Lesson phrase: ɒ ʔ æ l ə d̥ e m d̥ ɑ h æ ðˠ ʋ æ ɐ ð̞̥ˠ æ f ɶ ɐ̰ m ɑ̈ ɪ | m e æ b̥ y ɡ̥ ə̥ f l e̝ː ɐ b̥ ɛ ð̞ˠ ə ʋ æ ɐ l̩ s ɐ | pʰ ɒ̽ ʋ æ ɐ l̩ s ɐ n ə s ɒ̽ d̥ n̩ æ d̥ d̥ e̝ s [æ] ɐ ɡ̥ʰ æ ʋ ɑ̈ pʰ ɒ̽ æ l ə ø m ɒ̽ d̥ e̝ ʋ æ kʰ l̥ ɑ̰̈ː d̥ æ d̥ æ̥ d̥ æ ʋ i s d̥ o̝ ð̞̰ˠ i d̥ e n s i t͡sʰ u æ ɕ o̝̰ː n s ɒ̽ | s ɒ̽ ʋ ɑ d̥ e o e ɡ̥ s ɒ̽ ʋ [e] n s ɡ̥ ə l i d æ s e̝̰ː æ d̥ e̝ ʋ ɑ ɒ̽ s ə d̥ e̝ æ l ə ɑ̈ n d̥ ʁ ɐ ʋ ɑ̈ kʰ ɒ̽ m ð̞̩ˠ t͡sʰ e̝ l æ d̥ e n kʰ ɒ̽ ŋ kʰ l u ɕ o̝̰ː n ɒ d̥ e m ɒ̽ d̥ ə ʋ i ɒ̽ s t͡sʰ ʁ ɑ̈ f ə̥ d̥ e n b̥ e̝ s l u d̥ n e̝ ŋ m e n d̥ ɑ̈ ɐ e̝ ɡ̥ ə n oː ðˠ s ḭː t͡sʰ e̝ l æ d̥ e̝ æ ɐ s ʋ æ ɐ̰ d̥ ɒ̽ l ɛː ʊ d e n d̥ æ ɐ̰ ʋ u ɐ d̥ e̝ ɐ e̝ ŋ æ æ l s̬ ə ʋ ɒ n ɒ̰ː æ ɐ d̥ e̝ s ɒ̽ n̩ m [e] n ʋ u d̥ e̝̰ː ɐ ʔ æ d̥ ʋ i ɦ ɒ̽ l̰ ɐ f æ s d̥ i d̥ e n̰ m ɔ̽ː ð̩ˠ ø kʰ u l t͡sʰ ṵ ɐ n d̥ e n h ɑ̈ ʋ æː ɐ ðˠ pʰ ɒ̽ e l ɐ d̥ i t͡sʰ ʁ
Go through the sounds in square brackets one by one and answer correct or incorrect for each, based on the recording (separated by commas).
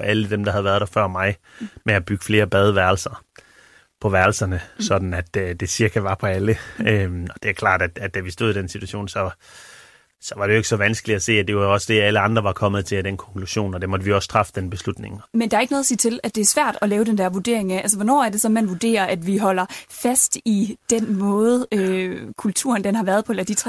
incorrect, incorrect, incorrect